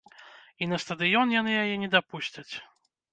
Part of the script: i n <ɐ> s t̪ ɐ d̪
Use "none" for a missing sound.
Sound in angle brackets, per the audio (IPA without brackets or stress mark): ɐ